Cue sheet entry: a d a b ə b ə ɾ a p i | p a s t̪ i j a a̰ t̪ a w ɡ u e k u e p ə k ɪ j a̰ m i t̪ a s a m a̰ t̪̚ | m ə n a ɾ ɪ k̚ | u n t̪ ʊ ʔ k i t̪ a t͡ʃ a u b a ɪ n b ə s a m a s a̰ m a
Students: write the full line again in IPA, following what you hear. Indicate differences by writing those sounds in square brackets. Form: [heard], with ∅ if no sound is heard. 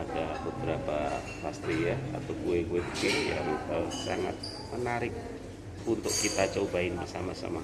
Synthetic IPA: a d a b ə b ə ɾ a p [a] | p a s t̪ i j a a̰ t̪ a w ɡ u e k u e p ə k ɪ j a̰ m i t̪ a s a [ŋ] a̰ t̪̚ | m ə n a ɾ ɪ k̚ | u n t̪ ʊ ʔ k i t̪ a t͡ʃ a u b a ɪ n b ə s a m a s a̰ m a